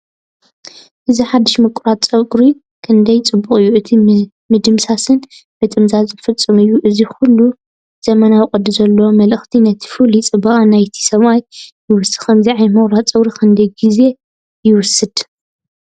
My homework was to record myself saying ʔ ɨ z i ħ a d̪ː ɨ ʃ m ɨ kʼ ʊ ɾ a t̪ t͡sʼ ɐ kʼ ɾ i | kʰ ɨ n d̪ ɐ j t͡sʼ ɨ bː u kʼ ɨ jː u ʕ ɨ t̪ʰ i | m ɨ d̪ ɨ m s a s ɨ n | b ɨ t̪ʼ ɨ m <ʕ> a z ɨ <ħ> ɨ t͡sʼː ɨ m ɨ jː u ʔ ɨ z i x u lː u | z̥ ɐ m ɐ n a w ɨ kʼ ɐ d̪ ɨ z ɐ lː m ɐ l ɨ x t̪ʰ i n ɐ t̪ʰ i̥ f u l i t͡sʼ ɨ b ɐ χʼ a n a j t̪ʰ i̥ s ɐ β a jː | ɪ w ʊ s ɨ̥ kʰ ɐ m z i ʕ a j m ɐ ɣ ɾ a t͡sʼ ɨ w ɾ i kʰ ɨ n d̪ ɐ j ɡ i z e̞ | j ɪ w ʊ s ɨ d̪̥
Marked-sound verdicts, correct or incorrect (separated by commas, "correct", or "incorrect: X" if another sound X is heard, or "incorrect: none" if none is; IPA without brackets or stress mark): incorrect: z, incorrect: f